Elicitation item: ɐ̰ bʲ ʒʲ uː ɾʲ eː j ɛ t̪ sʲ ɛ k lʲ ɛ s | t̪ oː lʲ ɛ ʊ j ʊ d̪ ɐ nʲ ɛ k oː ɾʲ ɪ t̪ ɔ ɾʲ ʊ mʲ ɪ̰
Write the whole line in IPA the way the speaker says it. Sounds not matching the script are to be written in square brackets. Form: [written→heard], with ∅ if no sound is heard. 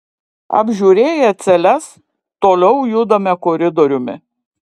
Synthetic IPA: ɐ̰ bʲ ʒʲ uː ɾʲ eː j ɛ t̪ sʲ ɛ [k→∅] lʲ ɛ s | t̪ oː lʲ ɛ ʊ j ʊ d̪ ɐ [nʲ→mʲ] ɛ k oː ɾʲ ɪ [t̪→d̪] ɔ ɾʲ ʊ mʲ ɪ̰